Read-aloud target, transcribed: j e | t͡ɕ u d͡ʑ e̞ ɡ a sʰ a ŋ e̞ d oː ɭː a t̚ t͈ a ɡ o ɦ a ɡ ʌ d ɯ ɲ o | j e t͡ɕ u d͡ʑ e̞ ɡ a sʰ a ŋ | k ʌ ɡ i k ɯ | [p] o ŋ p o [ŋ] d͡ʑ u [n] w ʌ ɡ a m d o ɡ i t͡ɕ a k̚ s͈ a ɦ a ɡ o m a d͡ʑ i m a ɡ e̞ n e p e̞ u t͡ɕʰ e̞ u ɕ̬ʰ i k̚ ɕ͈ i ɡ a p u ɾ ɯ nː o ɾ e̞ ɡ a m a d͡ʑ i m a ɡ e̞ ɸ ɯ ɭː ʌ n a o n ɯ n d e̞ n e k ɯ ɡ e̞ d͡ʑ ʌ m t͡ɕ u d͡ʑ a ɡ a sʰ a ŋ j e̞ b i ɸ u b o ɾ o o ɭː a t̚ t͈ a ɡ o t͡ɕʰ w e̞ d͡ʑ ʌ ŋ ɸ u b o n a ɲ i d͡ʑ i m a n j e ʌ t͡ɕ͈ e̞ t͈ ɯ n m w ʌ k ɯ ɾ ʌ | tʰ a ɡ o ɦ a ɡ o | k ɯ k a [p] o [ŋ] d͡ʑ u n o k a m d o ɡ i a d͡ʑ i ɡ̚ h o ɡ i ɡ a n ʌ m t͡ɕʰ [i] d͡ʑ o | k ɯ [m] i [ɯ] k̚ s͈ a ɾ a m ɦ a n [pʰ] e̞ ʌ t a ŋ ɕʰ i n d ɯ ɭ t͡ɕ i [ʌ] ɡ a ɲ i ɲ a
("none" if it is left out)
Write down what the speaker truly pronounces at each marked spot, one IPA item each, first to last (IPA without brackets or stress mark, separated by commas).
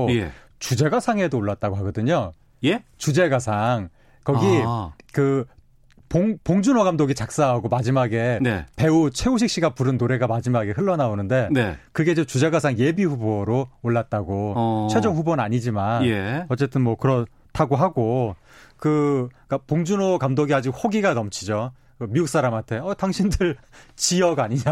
p, ŋ, n, p, ŋ, i, m, u, tʰ, ʌ